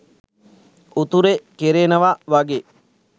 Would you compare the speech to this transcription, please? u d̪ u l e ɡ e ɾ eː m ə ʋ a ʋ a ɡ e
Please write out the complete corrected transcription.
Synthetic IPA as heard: u t̪ u ɾ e k e ɾ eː n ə ʋ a ʋ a ɡ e